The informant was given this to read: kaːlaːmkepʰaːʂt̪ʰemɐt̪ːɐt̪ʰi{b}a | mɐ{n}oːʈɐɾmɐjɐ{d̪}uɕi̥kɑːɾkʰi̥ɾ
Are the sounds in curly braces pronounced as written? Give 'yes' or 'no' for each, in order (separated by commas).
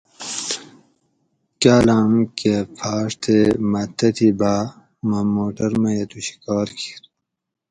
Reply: yes, no, no